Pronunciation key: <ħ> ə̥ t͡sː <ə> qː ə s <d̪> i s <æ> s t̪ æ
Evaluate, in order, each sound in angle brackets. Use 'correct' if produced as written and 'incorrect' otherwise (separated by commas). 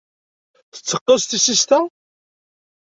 incorrect, correct, incorrect, incorrect